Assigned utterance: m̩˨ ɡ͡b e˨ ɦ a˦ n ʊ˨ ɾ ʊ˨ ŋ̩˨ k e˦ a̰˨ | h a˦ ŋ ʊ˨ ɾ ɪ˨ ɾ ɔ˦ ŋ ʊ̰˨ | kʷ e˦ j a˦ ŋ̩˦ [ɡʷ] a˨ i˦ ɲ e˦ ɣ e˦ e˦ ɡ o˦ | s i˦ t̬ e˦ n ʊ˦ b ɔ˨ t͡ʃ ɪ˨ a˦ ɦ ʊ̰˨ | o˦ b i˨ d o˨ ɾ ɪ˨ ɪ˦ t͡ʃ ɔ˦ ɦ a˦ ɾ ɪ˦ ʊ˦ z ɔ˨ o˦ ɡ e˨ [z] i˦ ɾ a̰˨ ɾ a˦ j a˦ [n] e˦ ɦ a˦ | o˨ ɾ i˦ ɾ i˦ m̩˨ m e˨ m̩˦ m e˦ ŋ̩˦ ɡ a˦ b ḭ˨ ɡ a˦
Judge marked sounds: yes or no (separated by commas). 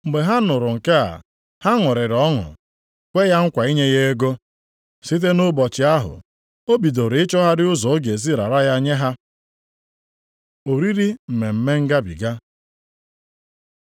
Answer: no, yes, no